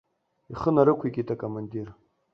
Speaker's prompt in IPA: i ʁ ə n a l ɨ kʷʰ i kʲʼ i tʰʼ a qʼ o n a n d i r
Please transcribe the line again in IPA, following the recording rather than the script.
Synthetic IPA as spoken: i χ ə n a ɾ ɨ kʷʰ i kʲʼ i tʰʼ a kʼ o m a n d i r